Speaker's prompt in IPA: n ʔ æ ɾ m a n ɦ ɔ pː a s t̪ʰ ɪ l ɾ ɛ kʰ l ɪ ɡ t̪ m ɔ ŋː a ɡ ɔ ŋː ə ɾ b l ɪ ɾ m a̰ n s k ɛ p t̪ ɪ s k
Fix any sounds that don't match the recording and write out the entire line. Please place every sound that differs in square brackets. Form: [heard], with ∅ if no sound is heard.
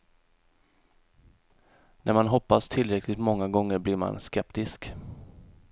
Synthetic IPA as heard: n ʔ æ ɾ m a n ɦ ɔ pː a s t̪ʰ ɪ l ɾ ɛ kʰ l ɪ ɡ t̪ m ɔ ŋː a ɡ ɔ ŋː ə ɾ b l ɪ ɾ m a̰ n s k ɛ p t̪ ɪ s k